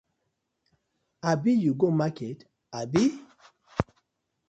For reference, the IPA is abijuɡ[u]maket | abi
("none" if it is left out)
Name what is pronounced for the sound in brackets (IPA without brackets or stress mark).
o